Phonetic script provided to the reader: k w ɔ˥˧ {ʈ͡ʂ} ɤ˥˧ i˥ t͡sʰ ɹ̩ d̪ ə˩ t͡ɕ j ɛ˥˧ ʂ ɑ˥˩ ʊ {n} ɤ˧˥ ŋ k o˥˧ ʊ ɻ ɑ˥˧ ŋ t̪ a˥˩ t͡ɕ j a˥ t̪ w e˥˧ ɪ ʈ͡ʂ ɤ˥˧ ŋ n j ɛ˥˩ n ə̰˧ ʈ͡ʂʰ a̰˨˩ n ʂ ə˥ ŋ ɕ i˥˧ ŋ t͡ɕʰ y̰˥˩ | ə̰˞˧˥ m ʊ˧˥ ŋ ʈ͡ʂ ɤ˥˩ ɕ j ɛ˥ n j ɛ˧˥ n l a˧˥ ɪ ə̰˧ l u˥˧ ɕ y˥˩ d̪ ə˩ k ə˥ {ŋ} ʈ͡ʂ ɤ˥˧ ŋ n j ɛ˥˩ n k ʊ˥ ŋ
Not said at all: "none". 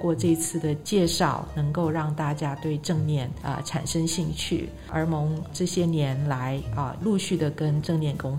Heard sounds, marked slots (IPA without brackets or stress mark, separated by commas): ʈ͡ʂ, n, n